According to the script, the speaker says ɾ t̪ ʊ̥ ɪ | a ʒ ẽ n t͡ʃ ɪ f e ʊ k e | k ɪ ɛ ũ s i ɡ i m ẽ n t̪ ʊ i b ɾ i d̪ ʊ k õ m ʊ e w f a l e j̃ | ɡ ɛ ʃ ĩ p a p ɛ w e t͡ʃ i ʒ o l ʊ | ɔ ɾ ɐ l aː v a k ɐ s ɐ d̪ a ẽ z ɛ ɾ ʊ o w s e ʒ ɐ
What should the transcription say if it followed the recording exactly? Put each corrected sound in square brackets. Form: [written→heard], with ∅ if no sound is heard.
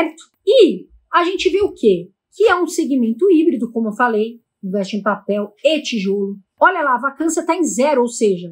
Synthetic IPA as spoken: ɾ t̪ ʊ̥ ɪ | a ʒ ẽ n t͡ʃ ɪ [f→v] e ʊ k e | k ɪ ɛ ũ s [i→e] ɡ i m ẽ n t̪ ʊ i b ɾ i d̪ ʊ k õ m ʊ e w f a l e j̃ | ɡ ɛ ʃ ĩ p a p ɛ w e t͡ʃ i ʒ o l ʊ | ɔ [ɾ→ʎ] ɐ l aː v a k [ɐ→ɐ̃] s ɐ [d̪→t̪] a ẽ z ɛ ɾ ʊ o w s e ʒ ɐ